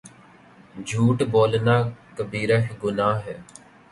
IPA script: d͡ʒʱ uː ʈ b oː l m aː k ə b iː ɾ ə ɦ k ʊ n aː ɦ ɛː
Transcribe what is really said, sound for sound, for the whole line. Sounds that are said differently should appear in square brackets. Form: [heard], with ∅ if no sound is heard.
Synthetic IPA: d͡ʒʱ uː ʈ b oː l [n] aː k ə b iː ɾ ə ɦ [ɡ] ʊ n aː ɦ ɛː